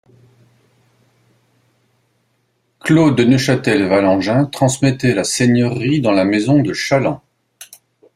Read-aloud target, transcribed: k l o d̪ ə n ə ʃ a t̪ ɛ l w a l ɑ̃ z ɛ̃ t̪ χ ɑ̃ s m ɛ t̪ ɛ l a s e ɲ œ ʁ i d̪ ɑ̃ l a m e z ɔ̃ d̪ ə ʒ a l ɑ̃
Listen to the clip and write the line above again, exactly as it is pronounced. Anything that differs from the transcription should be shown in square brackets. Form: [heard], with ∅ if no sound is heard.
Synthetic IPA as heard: k l o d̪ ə n ə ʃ a t̪ ɛ l [v] a l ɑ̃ [ʒ] ɛ̃ t̪ χ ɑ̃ s m ɛ t̪ ɛ l a s e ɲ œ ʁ i d̪ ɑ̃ l a m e z ɔ̃ d̪ ə [ʃ] a l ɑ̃